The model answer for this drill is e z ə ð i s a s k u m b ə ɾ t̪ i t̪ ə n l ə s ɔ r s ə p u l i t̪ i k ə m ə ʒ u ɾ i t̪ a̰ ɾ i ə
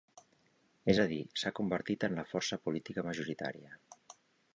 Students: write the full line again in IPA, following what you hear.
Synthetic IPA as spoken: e z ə ð i s a k u m b ə ɾ t̪ i t̪ ə n l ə f ɔ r s ə p u l i t̪ i k ə m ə ʒ u ɾ i t̪ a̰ ɾ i ə